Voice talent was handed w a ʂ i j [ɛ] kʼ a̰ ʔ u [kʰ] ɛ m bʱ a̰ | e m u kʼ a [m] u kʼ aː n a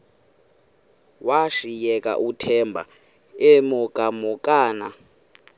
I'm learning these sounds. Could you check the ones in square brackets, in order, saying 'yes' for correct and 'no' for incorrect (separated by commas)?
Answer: yes, no, yes